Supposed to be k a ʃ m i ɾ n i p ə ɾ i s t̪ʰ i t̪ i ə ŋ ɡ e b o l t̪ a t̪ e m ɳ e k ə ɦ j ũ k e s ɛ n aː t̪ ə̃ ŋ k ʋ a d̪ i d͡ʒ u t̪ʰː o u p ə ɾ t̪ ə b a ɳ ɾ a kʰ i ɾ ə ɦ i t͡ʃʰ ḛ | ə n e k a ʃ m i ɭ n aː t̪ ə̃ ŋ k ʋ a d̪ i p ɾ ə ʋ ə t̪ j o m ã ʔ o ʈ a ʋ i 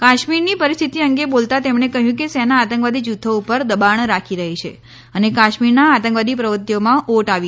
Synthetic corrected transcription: k a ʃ m i ɾ n i p ə ɾ i s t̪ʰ i t̪ i ə ŋ ɡ e b o l t̪ a t̪ e m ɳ e k ə ɦ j ũ k e s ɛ n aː t̪ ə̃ ŋ k ʋ a d̪ i d͡ʒ u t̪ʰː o u p ə ɾ d̪ ə b a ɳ ɾ a kʰ i ɾ ə ɦ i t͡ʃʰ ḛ | ə n e k a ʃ m i ɾ n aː t̪ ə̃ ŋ k ʋ a d̪ i p ɾ ə ʋ ə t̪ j o m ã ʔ o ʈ a ʋ i

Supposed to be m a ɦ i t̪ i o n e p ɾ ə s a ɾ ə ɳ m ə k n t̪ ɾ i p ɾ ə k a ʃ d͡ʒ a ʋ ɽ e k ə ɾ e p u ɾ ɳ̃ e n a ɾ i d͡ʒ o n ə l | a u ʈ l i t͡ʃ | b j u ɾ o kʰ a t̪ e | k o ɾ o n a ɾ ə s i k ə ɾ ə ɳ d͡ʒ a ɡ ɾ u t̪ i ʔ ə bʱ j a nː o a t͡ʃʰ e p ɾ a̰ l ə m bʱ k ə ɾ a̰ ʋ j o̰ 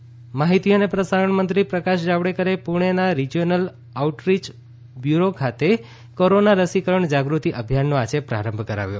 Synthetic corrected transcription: m a ɦ i t̪ i o n e p ɾ ə s a ɾ ə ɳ m ə n t̪ ɾ i p ɾ ə k a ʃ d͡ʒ a ʋ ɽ e k ə ɾ e p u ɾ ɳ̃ e n a ɾ i d͡ʒ o n ə l | a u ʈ ɾ i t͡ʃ | b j u ɾ o kʰ a t̪ e | k o ɾ o n a ɾ ə s i k ə ɾ ə ɳ d͡ʒ a ɡ ɾ u t̪ i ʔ ə bʱ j a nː o a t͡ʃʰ e p ɾ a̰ ɾ ə m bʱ k ə ɾ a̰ ʋ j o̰

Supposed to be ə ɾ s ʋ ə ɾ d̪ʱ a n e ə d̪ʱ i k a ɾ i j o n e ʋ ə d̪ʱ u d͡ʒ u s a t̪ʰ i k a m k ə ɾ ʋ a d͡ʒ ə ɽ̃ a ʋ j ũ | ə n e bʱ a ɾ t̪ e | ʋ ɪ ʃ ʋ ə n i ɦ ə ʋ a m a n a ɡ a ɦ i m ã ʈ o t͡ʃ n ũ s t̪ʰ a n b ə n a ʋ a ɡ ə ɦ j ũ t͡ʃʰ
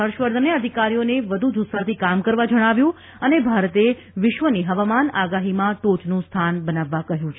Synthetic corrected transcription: ə ɾ ʃ ʋ ə ɾ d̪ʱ ə n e ə d̪ʱ i k a ɾ i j o n e ʋ ə d̪ʱ u d͡ʒ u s a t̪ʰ i k a m k ə ɾ ʋ a d͡ʒ ə ɽ̃ a ʋ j ũ | ə n e bʱ a ɾ t̪ e | ʋ ɪ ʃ ʋ ə n i ɦ ə ʋ a m a n a ɡ a ɦ i m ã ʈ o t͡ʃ n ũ s t̪ʰ a n b ə n a ʋː a k ə ɦ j ũ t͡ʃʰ

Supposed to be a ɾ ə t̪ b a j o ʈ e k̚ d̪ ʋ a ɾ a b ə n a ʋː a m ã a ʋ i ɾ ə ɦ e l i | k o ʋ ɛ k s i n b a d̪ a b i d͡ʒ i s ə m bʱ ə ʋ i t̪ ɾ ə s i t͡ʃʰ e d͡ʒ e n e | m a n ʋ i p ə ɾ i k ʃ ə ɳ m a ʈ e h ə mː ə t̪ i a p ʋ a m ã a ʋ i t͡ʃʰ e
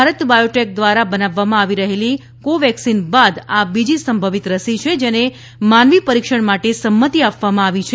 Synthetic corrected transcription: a ɾ ə t̪ b a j o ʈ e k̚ d̪ ʋ a ɾ a b ə n a ʋː a m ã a ʋ i ɾ ə ɦ e l i | k o ʋ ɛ k s i n b a d̪ a b i d͡ʒ i s ə m bʱ ə ʋ i t̪ ɾ ə s i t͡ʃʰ e d͡ʒ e n e | m a n ʋ i p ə ɾ i k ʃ ə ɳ m a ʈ e s ə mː ə t̪ i a p ʋ a m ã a ʋ i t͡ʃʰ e

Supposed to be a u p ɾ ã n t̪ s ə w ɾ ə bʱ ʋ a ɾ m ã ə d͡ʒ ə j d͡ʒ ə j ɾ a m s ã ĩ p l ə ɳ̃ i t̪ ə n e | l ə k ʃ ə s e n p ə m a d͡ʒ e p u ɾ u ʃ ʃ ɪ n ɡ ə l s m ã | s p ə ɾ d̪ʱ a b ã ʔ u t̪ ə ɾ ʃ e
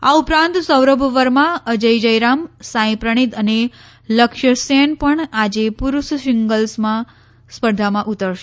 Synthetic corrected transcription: a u p ɾ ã n t̪ s ə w ɾ ə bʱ ʋ ə ɾ m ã ə d͡ʒ ə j d͡ʒ ə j ɾ a m s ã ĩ p ɾ ə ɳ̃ i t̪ ə n e | l ə k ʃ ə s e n p ə ɳ a d͡ʒ e p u ɾ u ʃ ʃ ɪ ŋ ɡ ə l s m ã | s p ə ɾ d̪ʱ a m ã ʔ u t̪ ə ɾ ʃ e

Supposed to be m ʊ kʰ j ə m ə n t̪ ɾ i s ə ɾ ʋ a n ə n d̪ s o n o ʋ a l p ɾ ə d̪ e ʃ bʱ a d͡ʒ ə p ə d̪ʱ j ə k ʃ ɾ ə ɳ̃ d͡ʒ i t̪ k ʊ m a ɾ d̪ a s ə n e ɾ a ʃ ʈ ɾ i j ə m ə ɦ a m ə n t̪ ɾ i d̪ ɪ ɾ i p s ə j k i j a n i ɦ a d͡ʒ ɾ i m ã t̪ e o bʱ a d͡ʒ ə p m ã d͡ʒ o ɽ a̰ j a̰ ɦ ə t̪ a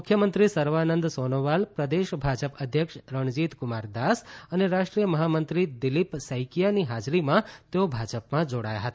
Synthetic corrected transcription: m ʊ kʰ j ə m ə n t̪ ɾ i s ə ɾ ʋ a n ə n d̪ s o n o ʋ a l p ɾ ə d̪ e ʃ bʱ a d͡ʒ ə p ə d̪ʱ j ə k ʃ ɾ ə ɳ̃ d͡ʒ i t̪ k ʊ m a ɾ d̪ a s ə n e ɾ a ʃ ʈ ɾ i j ə m ə ɦ a m ə n t̪ ɾ i d̪ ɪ l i p s ə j k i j a n i ɦ a d͡ʒ ɾ i m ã t̪ e o bʱ a d͡ʒ ə p m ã d͡ʒ o ɽ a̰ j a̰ ɦ ə t̪ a

